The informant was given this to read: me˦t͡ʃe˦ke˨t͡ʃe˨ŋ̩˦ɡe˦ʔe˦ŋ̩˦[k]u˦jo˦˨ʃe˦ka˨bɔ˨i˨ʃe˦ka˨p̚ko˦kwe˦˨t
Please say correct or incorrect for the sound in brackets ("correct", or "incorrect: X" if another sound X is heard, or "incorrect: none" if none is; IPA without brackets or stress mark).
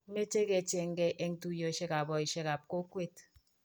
incorrect: t